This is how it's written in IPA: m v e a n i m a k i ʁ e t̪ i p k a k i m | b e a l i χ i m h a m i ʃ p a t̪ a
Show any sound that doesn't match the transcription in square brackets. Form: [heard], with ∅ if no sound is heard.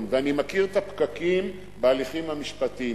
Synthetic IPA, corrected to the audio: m v e a n i m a k i ʁ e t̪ [a] p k a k i m | b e a l i χ i m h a m i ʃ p a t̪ [i]